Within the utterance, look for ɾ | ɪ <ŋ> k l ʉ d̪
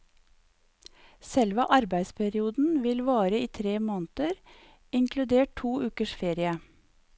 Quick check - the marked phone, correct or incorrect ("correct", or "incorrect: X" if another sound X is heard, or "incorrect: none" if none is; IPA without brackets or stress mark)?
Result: correct